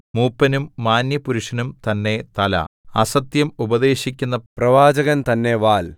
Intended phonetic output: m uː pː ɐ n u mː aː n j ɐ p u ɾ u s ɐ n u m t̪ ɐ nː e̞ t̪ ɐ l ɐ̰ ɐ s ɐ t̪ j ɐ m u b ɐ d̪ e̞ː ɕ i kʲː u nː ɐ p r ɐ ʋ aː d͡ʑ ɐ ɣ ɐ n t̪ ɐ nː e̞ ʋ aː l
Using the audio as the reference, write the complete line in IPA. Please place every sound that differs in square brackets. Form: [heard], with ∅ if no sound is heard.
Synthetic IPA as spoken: m uː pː ɐ n u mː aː n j ɐ p u ɾ u [ʂ] ɐ n u m t̪ ɐ nː e̞ t̪ ɐ l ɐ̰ ɐ s ɐ t̪ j ɐ m u b ɐ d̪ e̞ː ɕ i kʲː u nː ɐ p r ɐ ʋ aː d͡ʑ ɐ ɣ ɐ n t̪ ɐ nː e̞ ʋ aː l